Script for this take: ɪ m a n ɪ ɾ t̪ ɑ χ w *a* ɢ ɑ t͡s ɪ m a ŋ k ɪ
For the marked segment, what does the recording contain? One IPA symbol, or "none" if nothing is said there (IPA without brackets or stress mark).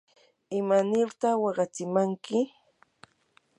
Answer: ɑ